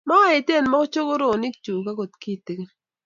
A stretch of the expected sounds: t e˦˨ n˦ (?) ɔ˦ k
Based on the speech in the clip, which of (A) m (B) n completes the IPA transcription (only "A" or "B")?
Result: A